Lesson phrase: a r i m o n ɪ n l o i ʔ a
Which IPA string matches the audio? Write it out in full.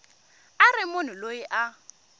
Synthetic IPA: a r ɪ m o n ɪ l o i ʔ a